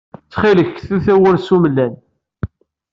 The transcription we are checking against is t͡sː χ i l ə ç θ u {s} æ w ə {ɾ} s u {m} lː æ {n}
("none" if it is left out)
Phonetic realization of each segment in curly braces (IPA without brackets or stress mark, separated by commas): θ, ɾ, m, n